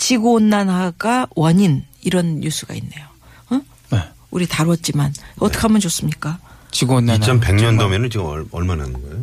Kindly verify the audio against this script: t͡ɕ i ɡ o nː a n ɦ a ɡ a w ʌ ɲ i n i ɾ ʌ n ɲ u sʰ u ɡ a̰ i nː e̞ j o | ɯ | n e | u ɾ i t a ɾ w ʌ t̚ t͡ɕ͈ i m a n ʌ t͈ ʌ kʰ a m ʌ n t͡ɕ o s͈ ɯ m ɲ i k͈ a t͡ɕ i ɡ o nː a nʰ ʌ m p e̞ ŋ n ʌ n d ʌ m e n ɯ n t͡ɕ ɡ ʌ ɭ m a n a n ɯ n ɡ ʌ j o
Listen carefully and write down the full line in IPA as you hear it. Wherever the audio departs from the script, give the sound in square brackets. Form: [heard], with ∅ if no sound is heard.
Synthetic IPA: t͡ɕ i ɡ o nː a n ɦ a ɡ a w ʌ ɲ i n i ɾ ʌ n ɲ u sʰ u ɡ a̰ i nː e̞ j o | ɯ | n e | u ɾ i t a ɾ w ʌ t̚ t͡ɕ͈ i m a n ʌ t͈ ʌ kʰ a m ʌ n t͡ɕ o s͈ ɯ m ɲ i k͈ a t͡ɕ i ɡ o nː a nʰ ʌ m p e̞ ŋ [ɲ] ʌ n d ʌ m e n ɯ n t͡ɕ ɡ ʌ ɭ m a n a n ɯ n ɡ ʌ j o